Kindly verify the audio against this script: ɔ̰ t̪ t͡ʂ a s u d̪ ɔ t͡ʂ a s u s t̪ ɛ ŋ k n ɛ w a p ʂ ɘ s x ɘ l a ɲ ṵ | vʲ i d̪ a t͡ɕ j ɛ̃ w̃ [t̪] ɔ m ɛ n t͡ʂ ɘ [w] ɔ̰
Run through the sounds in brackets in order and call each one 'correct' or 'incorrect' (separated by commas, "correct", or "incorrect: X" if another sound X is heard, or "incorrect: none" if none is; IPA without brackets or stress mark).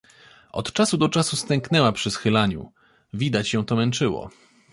correct, correct